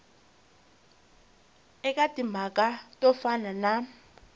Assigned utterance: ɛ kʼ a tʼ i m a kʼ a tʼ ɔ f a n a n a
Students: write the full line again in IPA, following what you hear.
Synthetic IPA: ɛ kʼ a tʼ i m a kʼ a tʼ ɔ f a n a n a